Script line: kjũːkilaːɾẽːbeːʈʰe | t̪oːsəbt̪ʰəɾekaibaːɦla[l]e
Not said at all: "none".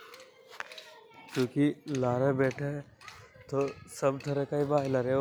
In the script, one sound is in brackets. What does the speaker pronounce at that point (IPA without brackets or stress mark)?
ɾ